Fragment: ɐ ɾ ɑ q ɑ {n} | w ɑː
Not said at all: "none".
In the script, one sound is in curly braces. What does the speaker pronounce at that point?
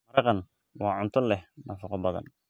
n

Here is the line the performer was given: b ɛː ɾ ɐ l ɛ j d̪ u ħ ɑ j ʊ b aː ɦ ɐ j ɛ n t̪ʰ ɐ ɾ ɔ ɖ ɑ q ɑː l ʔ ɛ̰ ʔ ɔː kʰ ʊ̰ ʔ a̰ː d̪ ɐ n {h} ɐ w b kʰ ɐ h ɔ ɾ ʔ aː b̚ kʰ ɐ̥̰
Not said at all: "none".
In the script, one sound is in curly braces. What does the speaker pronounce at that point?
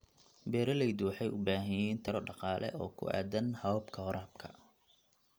h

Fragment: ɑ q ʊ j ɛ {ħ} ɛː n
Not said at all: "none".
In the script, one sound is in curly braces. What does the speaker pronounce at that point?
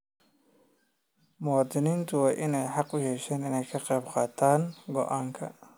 ʃ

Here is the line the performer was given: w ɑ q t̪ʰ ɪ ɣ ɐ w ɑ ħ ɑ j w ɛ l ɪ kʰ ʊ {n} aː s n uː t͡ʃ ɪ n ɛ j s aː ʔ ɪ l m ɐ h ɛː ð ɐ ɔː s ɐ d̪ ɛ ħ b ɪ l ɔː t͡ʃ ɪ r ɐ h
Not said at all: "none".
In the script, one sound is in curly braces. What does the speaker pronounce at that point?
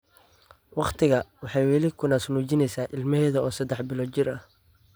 n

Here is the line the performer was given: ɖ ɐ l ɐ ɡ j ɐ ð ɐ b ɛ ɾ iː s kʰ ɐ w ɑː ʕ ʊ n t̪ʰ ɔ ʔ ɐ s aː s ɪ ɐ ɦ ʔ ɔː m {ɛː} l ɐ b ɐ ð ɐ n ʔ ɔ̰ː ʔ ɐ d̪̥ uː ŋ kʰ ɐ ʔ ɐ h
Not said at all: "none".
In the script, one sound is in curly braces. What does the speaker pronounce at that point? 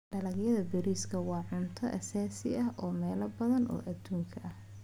ɛː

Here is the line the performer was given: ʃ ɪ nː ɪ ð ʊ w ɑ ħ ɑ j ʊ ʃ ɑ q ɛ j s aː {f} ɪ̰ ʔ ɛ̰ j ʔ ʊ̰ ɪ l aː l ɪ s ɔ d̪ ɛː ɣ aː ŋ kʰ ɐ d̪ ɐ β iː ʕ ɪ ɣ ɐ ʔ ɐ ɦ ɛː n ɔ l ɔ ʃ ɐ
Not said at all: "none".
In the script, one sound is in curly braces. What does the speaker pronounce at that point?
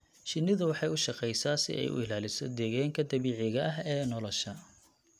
s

